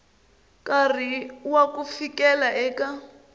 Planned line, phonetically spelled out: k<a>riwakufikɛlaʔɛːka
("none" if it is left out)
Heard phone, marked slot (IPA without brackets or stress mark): a